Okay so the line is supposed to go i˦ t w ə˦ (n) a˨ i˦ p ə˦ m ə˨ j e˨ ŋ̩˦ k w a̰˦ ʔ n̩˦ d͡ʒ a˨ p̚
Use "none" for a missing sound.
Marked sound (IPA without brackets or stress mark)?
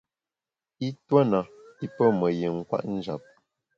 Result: n